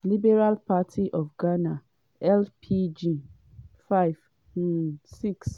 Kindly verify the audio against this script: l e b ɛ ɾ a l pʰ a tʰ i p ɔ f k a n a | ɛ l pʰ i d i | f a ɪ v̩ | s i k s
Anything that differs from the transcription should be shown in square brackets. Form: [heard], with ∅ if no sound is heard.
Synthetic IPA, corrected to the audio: l [i] b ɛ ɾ a l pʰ a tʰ i [ʔ] ɔ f [ɡ] a n a | ɛ l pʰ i [d͡ʒ] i | f a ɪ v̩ | s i k s